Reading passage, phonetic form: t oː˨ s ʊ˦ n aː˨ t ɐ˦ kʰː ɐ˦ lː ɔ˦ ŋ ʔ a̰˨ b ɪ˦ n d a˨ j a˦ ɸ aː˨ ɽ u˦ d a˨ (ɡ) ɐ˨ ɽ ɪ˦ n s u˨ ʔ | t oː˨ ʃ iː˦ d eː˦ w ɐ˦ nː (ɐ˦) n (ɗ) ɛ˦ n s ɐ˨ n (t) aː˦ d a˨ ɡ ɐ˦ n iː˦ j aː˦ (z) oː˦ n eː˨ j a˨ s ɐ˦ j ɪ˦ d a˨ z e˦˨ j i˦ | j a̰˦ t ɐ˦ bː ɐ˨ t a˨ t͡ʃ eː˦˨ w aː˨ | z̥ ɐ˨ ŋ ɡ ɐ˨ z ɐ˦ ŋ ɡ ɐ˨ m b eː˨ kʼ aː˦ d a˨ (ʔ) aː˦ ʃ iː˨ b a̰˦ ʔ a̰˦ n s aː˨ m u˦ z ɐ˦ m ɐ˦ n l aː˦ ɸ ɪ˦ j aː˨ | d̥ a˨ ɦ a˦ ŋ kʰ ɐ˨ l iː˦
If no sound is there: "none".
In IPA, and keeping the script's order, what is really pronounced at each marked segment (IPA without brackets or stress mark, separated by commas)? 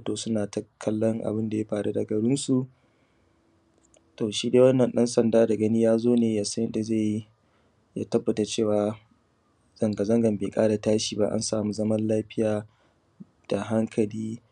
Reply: ɡ, ɐ˨, ɗ, d, z, t